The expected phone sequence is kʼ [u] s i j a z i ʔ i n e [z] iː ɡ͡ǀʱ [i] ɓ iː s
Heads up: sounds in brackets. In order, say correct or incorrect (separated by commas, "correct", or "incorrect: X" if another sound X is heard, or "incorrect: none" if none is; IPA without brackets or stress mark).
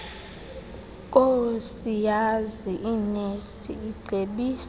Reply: incorrect: o, incorrect: s, incorrect: e